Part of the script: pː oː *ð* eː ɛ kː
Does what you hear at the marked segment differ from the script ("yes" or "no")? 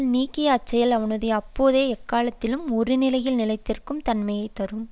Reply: no